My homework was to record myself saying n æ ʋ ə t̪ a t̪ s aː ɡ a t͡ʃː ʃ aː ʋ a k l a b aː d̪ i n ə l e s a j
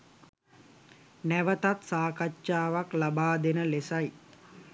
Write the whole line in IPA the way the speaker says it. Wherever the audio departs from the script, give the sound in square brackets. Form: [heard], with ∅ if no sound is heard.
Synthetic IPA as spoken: n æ ʋ ə t̪ a t̪ s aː [k] a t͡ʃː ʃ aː ʋ a k l a b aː d̪ [e] n ə l e s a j